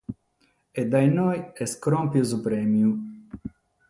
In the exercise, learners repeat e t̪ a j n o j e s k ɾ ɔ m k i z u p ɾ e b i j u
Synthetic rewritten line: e d̪ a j n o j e s k ɾ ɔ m p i z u p ɾ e m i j u